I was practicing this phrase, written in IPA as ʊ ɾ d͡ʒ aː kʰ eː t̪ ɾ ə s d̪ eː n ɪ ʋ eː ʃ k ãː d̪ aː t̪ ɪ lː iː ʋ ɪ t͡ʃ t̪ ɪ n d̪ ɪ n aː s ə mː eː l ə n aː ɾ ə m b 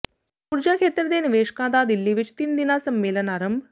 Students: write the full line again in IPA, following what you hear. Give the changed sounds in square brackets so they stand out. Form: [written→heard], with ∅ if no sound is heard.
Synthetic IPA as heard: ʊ ɾ d͡ʒ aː kʰ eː t̪ ɾ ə [s→∅] d̪ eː n ɪ ʋ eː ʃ k ãː d̪ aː [t̪→d̪] ɪ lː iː ʋ ɪ t͡ʃ t̪ ɪ n d̪ ɪ n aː s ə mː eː l ə n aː ɾ ə m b